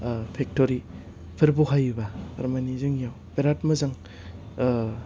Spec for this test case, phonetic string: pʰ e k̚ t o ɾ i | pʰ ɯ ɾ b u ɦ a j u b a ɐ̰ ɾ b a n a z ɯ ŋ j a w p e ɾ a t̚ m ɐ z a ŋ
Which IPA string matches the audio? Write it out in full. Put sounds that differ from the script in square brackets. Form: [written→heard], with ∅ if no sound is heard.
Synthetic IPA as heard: pʰ e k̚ t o ɾ i | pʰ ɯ ɾ b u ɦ a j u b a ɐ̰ ɾ [b→m] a n [a→i] z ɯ ŋ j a w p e ɾ a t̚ m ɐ z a ŋ

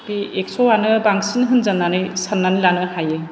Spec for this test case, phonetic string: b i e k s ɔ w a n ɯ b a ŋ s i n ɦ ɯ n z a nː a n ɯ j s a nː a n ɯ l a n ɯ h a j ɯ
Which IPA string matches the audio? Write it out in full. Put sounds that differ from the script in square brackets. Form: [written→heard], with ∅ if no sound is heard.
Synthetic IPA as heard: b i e k s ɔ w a n ɯ b a ŋ s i n ɦ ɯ n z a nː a n ɯ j s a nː a n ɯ l a n ɯ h a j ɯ

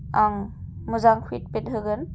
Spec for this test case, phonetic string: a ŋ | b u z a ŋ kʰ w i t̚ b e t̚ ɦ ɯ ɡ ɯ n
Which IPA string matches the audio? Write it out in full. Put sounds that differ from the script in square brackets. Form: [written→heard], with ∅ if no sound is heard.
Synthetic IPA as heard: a ŋ | [b→m] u z a ŋ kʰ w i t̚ [b→p] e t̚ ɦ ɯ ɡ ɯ n

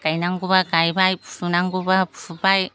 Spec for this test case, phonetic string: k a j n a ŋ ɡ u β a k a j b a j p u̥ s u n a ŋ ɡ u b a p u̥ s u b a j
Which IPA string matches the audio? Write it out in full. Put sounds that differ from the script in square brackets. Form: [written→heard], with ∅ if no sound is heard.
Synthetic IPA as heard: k a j n a ŋ ɡ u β a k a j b a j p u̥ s u n a ŋ ɡ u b a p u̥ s u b a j

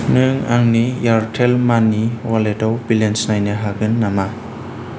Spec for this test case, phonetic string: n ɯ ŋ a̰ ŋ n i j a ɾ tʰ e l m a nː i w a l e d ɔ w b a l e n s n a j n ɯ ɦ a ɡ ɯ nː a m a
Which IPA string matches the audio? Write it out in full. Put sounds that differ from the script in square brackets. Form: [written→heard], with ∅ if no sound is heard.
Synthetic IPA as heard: n ɯ ŋ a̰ ŋ n i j a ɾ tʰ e l m a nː i w a l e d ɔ w b [a→i] l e n s n a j n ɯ ɦ a ɡ ɯ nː a m a

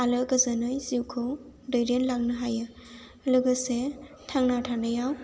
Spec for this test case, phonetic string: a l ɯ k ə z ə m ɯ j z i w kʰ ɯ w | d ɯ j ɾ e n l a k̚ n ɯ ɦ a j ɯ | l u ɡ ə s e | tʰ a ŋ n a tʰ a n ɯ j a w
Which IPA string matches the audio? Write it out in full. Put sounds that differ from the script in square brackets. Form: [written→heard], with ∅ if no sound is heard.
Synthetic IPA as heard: a l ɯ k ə z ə [m→n] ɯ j z i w kʰ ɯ w | d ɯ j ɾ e n l a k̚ n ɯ ɦ a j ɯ | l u ɡ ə s e | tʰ a ŋ n a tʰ a n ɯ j a w

